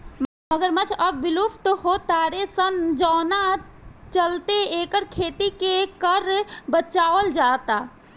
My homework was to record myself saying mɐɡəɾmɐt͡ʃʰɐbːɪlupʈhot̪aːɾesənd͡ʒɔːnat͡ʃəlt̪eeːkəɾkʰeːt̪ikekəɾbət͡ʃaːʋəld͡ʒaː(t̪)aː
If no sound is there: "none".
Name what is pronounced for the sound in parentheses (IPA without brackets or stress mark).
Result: t̪